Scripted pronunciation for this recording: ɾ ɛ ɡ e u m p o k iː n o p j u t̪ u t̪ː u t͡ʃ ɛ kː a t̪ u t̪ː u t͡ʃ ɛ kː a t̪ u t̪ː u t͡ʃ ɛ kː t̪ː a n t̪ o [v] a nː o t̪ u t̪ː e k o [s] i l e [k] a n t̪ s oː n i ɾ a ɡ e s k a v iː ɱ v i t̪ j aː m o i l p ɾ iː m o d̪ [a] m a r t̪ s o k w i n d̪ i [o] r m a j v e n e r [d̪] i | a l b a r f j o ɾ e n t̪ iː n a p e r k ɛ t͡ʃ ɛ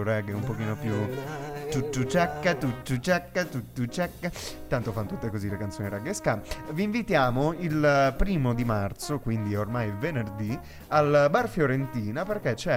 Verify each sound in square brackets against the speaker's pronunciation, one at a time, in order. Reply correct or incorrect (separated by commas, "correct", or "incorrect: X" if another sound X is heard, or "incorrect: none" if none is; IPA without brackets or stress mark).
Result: incorrect: f, incorrect: z, correct, incorrect: i, correct, correct